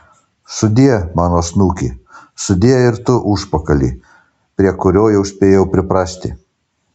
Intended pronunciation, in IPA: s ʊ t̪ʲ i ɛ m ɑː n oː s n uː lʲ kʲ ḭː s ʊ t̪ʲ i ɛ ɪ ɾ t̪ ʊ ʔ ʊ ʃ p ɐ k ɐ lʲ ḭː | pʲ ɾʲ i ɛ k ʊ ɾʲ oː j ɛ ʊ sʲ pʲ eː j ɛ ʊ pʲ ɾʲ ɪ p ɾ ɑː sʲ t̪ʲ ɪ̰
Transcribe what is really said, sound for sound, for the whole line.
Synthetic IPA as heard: s ʊ d̪ʲ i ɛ m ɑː n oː s n uː kʲ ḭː s ʊ d̪ʲ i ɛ ɪ ɾ t̪ ʊ ʔ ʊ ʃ p ɐ k ɐ lʲ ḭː | pʲ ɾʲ i ɛ k ʊ ɾʲ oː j ɛ ʊ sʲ pʲ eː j ɛ ʊ pʲ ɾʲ ɪ p ɾ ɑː sʲ t̪ʲ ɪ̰